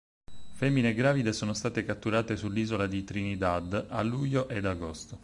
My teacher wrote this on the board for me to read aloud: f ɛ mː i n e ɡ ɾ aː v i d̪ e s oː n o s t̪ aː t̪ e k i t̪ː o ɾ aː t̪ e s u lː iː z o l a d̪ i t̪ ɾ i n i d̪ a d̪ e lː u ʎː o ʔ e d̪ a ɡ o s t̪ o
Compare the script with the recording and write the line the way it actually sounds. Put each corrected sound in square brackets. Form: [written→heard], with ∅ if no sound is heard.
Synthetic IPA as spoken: f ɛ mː i n e ɡ ɾ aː v i d̪ e s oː n o s t̪ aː t̪ e k [i→a] t̪ː [o→u] ɾ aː t̪ e s u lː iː z o l a d̪ i t̪ ɾ i n i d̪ a d̪ [e→a] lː u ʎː o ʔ e d̪ a ɡ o s t̪ o